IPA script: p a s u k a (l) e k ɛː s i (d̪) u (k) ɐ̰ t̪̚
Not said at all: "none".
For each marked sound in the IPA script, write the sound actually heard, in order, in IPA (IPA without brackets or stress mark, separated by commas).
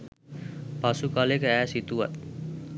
l, t̪, none